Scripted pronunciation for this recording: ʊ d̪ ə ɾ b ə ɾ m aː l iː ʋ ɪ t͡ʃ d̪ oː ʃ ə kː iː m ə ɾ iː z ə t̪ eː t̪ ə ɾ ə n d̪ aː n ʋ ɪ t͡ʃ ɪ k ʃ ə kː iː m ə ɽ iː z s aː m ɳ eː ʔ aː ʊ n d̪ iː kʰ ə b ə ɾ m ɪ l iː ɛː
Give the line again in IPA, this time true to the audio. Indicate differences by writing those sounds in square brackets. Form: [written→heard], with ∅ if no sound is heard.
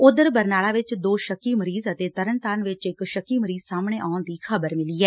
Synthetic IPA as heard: ʊ d̪ ə ɾ b ə ɾ [m→n] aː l [iː→aː] ʋ ɪ t͡ʃ d̪ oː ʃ ə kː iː m ə ɾ iː z ə t̪ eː t̪ ə ɾ ə n [d̪→t̪] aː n ʋ ɪ t͡ʃ ɪ k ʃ ə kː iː m ə [ɽ→ɾ] iː z s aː m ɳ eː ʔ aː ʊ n d̪ iː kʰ ə b ə ɾ m ɪ l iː ɛː